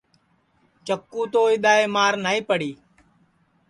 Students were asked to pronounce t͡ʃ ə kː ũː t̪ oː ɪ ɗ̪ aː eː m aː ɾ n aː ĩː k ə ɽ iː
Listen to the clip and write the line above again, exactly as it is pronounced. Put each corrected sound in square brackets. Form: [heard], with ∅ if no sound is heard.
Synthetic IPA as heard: t͡ʃ ə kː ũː t̪ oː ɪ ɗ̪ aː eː m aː ɾ n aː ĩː [p] ə ɽ iː